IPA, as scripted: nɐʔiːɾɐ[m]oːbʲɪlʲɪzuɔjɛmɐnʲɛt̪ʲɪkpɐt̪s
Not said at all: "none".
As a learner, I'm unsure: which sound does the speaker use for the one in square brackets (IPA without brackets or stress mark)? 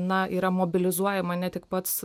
m